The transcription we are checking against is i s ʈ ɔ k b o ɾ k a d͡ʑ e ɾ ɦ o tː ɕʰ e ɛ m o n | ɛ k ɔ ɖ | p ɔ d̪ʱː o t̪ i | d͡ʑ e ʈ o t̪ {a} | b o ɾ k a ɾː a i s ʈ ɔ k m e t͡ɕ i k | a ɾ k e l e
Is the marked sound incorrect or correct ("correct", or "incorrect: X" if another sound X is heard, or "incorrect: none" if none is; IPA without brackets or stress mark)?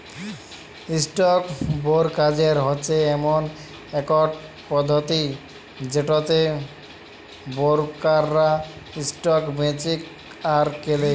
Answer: incorrect: e